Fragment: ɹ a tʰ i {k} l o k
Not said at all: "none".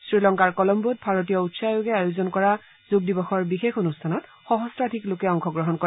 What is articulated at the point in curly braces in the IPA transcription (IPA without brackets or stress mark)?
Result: k